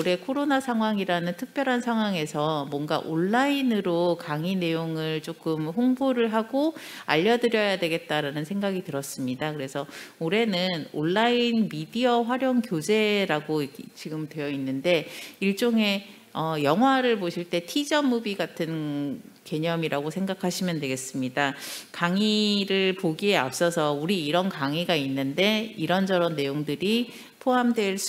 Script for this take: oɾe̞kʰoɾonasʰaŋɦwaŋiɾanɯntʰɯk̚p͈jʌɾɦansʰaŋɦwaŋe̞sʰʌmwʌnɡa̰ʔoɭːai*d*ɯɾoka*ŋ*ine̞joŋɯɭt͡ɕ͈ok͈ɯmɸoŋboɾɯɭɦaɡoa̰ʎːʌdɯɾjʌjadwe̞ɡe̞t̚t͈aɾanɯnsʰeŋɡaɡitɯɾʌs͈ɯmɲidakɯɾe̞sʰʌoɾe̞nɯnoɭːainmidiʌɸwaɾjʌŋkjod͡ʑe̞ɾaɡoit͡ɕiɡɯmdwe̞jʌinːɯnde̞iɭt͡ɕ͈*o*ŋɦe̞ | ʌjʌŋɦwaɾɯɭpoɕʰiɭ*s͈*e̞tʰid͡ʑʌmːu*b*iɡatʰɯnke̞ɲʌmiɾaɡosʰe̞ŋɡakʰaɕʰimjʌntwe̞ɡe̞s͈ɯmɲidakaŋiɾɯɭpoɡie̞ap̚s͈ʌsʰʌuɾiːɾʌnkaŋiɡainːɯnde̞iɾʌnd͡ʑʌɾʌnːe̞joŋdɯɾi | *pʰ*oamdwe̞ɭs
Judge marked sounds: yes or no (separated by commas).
no, yes, yes, no, yes, yes